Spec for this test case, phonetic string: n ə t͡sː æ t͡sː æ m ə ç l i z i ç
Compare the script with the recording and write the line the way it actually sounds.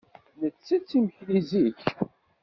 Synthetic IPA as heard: n ə t͡sː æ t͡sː i m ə ç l i z i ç